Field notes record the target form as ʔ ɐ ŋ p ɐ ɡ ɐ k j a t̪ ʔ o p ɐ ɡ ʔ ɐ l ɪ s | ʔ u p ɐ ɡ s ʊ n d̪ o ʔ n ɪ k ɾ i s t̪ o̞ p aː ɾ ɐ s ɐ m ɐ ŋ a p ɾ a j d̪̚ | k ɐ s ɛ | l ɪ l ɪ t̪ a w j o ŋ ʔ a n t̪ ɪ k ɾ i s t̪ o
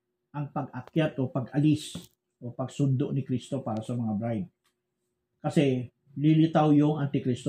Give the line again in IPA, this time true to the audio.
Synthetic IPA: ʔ ɐ ŋ p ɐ ɡ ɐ k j a t̪ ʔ o p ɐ ɡ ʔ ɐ l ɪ s | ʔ o p ɐ ɡ s ʊ n d̪ o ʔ n ɪ k ɾ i s t̪ o̞ p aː ɾ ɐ s ɐ m ɐ ŋ a b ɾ a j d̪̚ | k ɐ s ɛ | l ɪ l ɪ t̪ a w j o ŋ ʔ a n t̪ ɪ k ɾ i s t̪ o